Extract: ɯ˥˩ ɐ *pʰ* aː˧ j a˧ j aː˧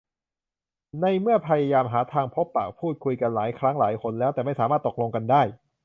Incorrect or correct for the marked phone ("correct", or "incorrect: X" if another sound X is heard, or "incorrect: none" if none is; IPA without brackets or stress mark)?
correct